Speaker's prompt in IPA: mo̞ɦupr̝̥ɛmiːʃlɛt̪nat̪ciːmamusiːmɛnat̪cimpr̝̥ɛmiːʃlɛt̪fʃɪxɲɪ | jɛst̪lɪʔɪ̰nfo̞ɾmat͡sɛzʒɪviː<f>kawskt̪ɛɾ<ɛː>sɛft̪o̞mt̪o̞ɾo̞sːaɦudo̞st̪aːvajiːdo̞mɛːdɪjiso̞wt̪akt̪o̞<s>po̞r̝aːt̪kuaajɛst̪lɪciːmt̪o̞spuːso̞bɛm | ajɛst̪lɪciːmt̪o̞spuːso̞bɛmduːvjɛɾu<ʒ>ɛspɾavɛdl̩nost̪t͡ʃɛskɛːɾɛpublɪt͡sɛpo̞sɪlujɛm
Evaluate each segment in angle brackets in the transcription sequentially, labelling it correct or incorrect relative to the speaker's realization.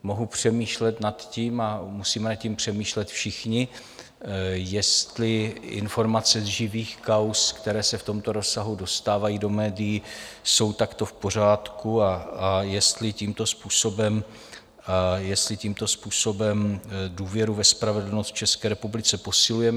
incorrect: x, correct, incorrect: f, incorrect: v

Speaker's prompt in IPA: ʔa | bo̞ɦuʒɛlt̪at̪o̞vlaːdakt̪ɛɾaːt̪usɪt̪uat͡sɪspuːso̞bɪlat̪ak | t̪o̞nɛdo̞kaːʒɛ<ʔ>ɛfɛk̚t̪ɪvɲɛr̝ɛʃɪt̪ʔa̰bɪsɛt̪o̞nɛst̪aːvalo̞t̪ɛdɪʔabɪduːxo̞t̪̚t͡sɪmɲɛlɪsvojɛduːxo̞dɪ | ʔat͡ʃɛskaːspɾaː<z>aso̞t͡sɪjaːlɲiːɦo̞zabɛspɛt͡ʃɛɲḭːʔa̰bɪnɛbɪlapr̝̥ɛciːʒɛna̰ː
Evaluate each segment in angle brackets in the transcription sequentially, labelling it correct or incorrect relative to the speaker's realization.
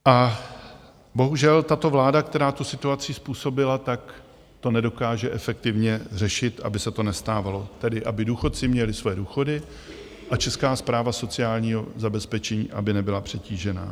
correct, incorrect: v

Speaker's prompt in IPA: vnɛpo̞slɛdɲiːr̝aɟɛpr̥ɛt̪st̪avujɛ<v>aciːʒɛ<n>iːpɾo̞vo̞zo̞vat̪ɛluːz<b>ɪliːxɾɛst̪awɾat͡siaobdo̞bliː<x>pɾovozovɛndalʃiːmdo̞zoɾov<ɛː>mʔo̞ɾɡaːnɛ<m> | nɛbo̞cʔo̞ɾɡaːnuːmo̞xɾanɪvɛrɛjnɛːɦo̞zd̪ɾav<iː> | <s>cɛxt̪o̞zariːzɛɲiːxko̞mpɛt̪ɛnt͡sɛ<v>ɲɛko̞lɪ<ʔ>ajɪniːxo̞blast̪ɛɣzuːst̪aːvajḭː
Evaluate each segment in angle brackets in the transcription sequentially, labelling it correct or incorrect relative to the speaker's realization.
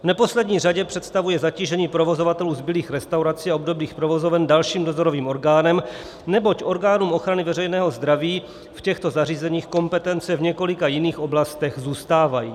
incorrect: z, incorrect: ɲ, correct, correct, incorrect: iː, correct, correct, incorrect: f, correct, incorrect: k

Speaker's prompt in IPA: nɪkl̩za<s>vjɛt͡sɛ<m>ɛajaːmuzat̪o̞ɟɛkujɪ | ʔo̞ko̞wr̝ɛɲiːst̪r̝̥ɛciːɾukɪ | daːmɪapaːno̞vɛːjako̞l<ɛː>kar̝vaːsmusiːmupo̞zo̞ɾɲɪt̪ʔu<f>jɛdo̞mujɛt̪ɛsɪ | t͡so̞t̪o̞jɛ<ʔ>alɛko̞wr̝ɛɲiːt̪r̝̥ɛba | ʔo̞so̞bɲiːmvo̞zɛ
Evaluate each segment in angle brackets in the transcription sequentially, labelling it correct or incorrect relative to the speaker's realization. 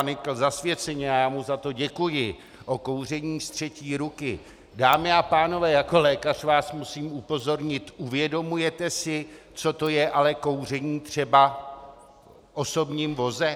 correct, incorrect: ɲ, correct, incorrect: v, correct

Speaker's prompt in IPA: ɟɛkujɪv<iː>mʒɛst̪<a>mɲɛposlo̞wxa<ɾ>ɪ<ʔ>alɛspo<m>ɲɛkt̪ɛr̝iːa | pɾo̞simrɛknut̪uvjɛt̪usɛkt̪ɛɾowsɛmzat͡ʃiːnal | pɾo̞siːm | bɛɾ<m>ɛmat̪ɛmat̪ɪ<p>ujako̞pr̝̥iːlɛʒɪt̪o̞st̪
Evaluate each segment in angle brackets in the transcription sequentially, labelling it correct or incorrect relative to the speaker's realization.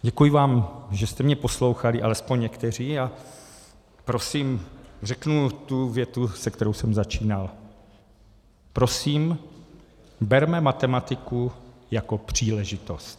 incorrect: aː, incorrect: ɛ, incorrect: l, correct, incorrect: ɲ, correct, incorrect: k

